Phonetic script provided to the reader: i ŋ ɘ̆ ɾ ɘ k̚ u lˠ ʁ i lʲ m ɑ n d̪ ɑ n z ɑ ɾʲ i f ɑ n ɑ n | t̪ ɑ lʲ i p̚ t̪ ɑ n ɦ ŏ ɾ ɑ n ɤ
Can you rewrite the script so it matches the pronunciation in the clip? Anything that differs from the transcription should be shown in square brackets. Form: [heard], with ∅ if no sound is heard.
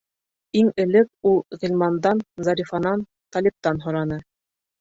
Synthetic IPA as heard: i ŋ ɘ̆ [l] ɘ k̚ u lˠ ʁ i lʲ m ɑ n d̪ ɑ n z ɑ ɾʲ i f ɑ n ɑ n | t̪ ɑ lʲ i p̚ t̪ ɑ n ɦ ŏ ɾ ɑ n ɤ